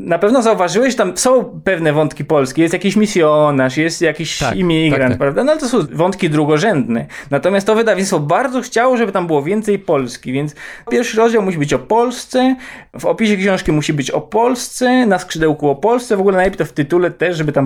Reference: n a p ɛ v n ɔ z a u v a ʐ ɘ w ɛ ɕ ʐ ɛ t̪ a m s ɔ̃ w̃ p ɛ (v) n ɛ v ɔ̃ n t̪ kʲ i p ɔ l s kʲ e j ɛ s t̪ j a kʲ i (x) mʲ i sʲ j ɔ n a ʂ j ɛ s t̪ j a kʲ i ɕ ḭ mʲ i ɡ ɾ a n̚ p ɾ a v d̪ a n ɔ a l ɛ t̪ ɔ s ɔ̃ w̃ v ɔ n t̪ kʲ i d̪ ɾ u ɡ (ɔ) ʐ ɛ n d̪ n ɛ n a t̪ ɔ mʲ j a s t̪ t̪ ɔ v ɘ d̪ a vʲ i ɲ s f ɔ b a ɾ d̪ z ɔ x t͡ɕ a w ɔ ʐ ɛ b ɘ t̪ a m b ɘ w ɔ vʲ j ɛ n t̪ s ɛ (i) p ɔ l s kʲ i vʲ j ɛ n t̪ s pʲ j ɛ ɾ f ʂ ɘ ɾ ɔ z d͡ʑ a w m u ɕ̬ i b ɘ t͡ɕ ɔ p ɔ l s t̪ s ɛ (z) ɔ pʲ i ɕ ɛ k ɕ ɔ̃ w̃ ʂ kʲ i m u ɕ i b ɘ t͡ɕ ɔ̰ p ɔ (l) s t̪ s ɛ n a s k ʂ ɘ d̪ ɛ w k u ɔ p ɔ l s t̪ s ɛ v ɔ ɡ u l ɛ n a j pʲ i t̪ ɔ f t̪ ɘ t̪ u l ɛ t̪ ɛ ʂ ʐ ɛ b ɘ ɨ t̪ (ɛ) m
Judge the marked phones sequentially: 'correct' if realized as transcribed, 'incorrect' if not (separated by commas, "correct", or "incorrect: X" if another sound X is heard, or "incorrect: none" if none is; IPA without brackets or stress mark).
correct, incorrect: ɕ, correct, incorrect: j, incorrect: v, correct, incorrect: a